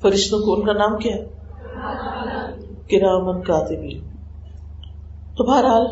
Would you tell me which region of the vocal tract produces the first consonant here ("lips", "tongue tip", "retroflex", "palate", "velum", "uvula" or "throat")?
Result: lips